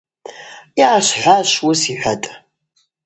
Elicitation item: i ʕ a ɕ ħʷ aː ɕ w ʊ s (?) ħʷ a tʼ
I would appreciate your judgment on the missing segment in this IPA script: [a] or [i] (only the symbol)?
i